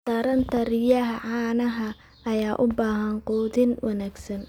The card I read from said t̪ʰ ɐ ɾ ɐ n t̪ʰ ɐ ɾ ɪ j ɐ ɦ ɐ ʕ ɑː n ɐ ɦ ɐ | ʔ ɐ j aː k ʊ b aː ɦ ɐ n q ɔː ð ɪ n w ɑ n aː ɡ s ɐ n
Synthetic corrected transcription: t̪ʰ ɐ ɾ ɐ n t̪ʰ ɐ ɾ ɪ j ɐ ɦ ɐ ʕ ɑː n ɐ ɦ ɐ | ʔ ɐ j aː ʔ ʊ b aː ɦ ɐ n q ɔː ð ɪ n w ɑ n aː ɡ s ɐ n